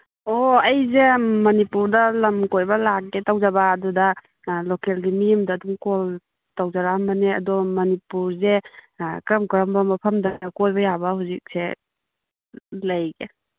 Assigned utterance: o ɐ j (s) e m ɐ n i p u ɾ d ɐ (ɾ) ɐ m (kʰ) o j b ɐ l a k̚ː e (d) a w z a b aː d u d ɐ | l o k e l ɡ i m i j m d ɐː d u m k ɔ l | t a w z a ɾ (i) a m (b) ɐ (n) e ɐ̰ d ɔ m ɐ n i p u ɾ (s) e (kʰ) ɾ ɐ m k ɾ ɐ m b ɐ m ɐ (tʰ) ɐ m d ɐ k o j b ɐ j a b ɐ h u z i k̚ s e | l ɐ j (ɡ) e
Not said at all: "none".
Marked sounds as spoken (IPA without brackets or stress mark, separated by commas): z, l, k, t, a, b, n, z, k, pʰ, ɡ